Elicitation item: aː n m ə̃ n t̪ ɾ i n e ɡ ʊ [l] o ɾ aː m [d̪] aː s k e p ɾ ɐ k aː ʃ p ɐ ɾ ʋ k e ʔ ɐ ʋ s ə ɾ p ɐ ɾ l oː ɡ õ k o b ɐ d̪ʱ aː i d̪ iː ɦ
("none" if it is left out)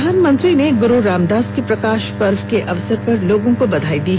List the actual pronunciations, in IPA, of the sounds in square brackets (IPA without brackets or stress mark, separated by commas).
ɾ, d̪